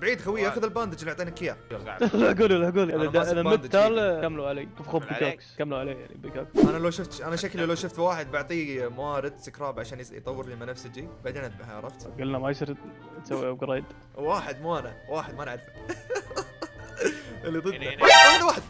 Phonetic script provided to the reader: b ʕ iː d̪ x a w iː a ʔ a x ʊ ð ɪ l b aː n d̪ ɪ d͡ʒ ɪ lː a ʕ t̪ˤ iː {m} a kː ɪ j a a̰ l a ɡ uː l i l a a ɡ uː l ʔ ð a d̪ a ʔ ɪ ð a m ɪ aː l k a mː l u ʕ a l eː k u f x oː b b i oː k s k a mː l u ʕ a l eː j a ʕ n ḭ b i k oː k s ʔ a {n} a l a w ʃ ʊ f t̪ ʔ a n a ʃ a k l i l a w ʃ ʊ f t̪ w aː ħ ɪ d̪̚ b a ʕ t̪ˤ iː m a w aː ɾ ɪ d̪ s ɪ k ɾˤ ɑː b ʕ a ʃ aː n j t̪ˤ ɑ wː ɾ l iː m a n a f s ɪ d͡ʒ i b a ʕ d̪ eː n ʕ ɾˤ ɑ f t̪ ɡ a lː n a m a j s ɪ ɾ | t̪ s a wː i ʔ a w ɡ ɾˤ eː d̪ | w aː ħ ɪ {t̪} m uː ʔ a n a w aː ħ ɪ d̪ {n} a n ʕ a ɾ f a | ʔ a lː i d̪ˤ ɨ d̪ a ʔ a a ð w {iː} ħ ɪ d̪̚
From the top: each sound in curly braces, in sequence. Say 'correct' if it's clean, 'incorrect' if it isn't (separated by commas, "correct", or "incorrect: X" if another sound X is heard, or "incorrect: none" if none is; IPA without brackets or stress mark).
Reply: incorrect: n, correct, incorrect: d̪, incorrect: m, incorrect: aː